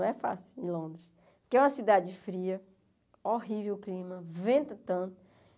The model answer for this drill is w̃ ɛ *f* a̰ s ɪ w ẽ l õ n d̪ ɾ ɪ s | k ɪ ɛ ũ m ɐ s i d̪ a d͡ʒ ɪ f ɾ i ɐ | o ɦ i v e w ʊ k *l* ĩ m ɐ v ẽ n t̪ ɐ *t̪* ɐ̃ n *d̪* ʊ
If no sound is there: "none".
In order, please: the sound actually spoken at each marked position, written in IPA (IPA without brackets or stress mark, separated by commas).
f, l, t̪, t̪